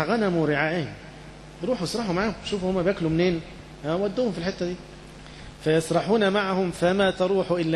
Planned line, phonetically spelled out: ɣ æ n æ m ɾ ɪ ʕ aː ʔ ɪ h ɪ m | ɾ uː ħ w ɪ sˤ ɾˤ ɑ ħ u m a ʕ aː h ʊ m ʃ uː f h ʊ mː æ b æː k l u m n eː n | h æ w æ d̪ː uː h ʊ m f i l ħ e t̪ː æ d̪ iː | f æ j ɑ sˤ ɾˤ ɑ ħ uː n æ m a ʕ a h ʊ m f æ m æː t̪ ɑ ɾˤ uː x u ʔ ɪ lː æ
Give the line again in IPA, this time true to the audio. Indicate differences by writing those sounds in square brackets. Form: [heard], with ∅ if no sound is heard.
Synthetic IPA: ɣ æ n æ m ɾ ɪ ʕ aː ʔ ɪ h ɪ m | ɾ uː ħ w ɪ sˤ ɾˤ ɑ ħ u m a ʕ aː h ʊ m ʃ uː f h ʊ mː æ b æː k l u m n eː n | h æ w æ d̪ː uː h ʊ m f i l ħ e t̪ː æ d̪ iː | f æ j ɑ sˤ ɾˤ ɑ ħ uː n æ m a ʕ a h ʊ m f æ m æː t̪ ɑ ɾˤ uː [ħ] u ʔ ɪ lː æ